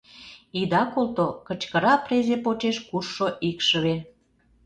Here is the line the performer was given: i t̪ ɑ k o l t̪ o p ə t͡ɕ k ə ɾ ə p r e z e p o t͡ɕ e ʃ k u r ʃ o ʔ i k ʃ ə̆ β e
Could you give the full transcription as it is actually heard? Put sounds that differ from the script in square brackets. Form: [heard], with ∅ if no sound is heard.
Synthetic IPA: i [d̪] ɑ k o l t̪ o [k] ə t͡ɕ k ə ɾ [ɑ] p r e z e p o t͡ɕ e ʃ k u r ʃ o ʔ i k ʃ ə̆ β e